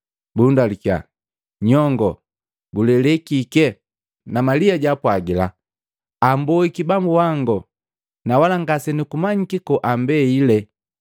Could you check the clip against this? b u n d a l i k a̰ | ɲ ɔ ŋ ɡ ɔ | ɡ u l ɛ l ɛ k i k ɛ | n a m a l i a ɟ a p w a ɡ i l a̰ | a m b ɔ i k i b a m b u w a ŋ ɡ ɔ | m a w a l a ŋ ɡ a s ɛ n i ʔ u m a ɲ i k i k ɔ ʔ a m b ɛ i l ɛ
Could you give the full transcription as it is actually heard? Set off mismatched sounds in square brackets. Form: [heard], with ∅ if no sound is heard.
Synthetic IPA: b u n d a l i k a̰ | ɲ ɔ ŋ ɡ ɔ | ɡ u l ɛ l ɛ k i k ɛ | n a m a l i a ɟ a p w a ɡ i l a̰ | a m b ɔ i k i b a m b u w a ŋ ɡ ɔ | [n] a w a l a ŋ ɡ a s ɛ n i [k] u m a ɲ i k i k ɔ ʔ a m b ɛ i l ɛ